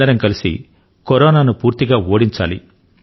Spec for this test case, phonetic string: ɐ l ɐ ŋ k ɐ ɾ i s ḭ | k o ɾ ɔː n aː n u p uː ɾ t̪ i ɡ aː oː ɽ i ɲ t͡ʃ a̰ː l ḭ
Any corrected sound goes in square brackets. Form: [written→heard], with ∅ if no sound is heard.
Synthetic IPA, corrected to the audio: ɐ [l→ɾ] ɐ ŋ k ɐ [ɾ→l] i s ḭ | k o ɾ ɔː n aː n u p uː ɾ t̪ i ɡ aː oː ɽ i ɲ t͡ʃ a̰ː l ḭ